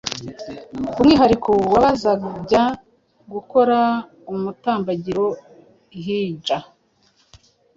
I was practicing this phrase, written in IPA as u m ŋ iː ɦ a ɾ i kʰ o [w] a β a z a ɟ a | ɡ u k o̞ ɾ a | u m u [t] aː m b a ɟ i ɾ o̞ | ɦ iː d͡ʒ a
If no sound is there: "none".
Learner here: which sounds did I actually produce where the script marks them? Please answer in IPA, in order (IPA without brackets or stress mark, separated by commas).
w, t